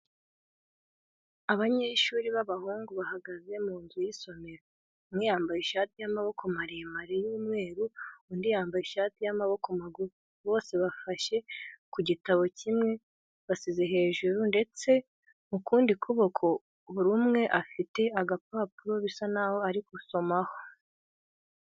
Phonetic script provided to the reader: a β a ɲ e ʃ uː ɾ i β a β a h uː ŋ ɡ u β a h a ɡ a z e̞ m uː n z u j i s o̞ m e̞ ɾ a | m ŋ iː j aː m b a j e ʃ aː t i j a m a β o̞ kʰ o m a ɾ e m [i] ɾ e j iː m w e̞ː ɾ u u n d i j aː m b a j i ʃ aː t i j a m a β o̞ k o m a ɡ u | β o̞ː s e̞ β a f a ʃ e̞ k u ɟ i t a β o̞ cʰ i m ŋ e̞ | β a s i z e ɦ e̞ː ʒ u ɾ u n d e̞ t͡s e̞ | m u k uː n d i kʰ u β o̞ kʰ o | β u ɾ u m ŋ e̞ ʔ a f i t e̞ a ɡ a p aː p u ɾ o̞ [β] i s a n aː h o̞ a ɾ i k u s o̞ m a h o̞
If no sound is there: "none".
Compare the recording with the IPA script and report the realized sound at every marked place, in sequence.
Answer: a, β

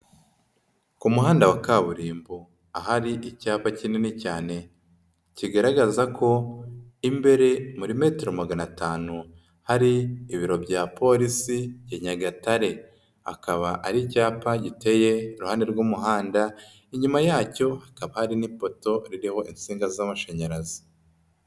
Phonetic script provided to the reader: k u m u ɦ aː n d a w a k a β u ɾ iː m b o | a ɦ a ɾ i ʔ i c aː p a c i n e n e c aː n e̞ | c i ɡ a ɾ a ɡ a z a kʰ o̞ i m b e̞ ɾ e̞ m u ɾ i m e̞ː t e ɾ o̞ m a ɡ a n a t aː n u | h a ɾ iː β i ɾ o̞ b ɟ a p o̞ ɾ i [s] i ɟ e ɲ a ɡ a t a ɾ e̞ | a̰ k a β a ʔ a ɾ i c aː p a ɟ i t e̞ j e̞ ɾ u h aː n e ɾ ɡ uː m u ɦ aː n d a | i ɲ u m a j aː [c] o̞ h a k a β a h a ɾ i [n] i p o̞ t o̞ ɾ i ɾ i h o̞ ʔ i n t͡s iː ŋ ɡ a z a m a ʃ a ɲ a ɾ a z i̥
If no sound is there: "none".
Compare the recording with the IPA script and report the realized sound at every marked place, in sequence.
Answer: s, c, n

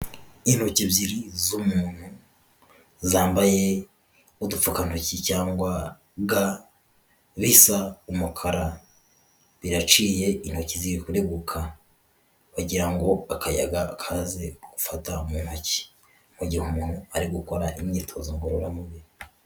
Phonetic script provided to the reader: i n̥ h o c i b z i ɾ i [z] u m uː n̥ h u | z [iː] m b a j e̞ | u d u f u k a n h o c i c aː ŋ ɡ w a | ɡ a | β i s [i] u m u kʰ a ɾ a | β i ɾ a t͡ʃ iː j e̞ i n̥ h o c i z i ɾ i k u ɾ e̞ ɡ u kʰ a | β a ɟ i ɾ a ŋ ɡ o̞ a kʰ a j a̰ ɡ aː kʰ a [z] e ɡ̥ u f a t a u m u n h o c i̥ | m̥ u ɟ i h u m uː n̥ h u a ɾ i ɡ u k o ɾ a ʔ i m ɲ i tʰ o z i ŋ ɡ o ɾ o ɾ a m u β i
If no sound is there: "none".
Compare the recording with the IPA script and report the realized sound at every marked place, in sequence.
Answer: z, aː, a, z

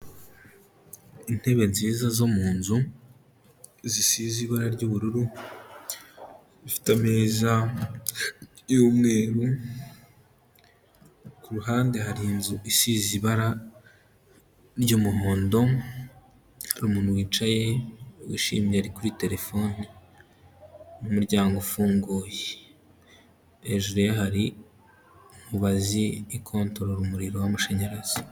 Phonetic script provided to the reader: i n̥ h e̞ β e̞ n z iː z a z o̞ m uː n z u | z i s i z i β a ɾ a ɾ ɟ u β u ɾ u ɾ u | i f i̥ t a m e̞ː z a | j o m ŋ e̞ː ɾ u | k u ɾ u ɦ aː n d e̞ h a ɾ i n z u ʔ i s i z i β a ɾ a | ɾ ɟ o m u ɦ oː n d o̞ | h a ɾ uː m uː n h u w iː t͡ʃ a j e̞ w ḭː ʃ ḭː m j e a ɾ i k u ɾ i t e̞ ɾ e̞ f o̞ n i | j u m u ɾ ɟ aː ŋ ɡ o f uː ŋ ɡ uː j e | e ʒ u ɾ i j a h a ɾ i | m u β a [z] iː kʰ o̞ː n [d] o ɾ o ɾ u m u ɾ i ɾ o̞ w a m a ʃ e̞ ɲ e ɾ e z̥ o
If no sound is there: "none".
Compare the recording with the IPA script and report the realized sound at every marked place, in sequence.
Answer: z, t

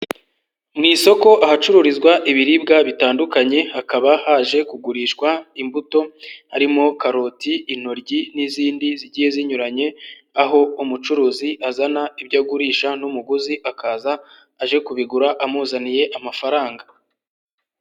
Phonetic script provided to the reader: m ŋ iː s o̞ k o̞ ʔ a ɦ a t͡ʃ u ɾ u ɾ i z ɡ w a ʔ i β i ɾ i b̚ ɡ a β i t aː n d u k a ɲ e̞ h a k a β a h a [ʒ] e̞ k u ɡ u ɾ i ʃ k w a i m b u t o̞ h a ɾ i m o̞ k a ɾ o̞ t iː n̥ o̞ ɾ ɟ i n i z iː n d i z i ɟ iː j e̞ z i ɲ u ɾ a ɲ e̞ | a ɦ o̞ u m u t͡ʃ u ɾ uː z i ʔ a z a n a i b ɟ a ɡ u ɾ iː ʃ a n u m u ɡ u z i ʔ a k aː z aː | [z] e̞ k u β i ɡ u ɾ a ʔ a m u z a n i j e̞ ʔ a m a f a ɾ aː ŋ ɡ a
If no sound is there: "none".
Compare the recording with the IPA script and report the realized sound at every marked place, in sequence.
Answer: ʒ, ʒ

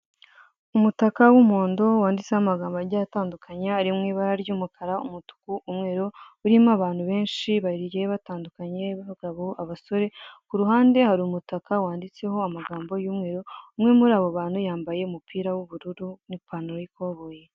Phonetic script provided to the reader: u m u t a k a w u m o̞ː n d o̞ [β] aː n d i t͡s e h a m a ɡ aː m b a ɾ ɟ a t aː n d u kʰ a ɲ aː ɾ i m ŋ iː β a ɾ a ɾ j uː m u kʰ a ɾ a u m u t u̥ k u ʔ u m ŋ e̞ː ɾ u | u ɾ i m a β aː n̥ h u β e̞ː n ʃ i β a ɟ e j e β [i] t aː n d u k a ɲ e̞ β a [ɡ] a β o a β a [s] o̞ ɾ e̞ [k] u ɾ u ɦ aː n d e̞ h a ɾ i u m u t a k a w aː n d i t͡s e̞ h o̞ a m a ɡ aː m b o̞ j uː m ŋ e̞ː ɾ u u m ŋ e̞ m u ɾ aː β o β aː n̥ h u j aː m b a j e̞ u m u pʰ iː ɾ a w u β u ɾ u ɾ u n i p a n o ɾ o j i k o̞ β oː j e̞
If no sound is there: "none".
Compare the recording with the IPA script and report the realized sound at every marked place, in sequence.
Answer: w, a, ɡ, s, k

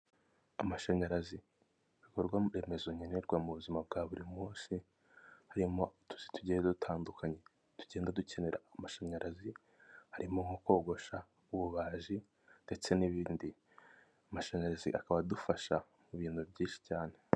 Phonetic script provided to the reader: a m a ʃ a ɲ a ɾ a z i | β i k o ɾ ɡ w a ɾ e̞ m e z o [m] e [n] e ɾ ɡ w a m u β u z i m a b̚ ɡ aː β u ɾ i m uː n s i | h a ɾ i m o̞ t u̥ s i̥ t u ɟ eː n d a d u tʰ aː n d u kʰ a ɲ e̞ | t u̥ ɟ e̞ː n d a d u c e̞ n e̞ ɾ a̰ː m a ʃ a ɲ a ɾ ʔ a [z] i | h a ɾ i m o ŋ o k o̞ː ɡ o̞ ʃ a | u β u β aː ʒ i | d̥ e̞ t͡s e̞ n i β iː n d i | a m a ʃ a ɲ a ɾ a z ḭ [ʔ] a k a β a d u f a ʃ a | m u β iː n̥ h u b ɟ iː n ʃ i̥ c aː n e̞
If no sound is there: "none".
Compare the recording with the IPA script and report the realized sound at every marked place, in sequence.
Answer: ɲ, n, z, ʔ

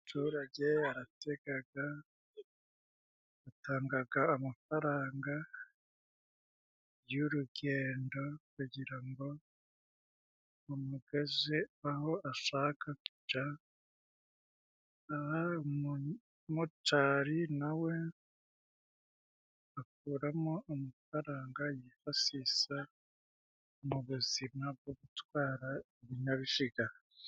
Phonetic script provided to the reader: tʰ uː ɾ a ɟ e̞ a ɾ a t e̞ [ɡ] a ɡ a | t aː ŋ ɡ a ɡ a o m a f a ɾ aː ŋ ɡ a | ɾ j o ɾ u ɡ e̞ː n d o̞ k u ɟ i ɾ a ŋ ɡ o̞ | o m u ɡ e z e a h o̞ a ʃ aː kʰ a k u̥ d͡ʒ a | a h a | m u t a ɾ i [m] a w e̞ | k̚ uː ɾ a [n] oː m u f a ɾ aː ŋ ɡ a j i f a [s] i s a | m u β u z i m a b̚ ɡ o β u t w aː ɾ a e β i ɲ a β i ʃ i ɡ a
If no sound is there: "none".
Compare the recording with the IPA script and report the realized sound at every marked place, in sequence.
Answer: ɡ, n, m, s

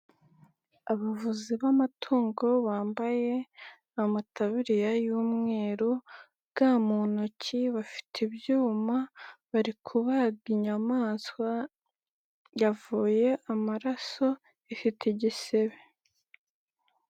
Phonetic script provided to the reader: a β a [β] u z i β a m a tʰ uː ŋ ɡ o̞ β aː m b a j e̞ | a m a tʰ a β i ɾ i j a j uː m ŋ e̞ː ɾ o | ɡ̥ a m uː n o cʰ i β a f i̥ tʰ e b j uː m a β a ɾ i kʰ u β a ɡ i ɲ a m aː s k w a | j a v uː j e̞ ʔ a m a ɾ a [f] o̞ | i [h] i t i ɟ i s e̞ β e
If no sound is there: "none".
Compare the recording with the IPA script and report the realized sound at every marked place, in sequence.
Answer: v, s, f

